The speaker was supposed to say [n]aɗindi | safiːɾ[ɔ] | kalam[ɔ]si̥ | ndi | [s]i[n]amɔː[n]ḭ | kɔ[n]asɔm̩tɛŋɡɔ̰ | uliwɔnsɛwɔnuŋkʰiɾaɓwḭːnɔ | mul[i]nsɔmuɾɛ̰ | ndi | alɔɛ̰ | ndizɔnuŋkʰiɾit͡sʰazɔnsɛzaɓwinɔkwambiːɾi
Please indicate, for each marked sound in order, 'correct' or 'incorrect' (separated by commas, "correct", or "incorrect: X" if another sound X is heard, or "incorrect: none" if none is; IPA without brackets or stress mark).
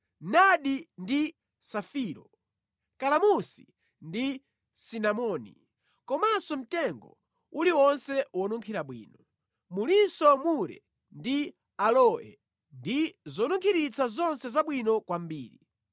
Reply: correct, correct, incorrect: u, correct, correct, correct, incorrect: m, correct